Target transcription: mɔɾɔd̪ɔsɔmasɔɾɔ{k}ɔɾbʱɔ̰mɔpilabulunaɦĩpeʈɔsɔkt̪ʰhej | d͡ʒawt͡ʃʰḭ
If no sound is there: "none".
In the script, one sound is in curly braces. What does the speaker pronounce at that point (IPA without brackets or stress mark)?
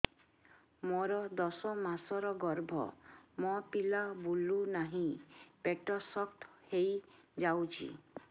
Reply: ɡ